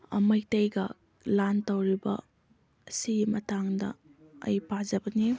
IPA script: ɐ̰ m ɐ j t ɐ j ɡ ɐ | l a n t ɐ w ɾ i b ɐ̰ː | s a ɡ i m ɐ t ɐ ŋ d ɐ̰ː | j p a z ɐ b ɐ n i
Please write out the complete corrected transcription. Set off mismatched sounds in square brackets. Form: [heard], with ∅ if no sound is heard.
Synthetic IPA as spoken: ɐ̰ m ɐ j t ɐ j ɡ ɐ | l a n t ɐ w ɾ i b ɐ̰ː | s [i] ɡ i m ɐ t [a] ŋ d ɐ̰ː | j p a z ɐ b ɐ n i

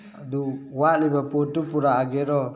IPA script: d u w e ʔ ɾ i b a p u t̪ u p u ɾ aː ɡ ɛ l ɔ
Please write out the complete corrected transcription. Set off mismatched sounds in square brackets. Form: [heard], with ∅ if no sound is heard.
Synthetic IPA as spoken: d u w [a] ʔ [l] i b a p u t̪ u p u ɾ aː ɡ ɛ [ɾ] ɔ

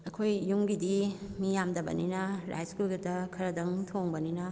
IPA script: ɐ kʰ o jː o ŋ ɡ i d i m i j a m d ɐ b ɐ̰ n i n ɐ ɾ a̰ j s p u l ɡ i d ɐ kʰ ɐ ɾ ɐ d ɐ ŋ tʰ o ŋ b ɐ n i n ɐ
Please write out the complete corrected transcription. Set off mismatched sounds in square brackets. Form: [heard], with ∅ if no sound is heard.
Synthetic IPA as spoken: ɐ kʰ o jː [u] ŋ ɡ i d i m i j a m d ɐ b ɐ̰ n i n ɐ ɾ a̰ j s [k] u l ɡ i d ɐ kʰ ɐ ɾ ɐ d ɐ ŋ tʰ o ŋ b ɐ n i n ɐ

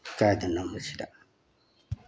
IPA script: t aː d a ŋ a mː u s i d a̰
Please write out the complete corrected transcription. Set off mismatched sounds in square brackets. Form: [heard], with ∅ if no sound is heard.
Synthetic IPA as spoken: [k] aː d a [n] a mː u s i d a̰

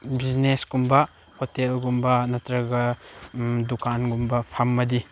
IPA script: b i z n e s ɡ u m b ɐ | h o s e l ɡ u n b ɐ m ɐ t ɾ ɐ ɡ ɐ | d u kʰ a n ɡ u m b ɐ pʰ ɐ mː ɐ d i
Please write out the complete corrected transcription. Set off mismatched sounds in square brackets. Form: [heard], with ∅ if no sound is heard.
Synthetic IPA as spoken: b i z n e s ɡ u m b ɐ | h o [t] e l ɡ u [m] b ɐ [n] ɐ t ɾ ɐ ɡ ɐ | d u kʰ a n ɡ u m b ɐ pʰ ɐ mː ɐ d i

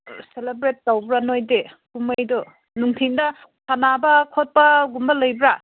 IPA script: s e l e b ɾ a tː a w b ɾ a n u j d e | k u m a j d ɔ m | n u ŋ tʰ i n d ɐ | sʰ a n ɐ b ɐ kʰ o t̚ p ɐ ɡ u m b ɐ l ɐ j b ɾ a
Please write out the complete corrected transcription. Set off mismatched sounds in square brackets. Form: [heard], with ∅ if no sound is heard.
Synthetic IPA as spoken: s e l e b ɾ [e] tː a w b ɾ a n [o] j d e | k u m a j d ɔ [∅] | n u ŋ tʰ i [ŋ] d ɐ | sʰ a n [a] b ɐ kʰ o t̚ p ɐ ɡ u m b ɐ l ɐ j b ɾ a

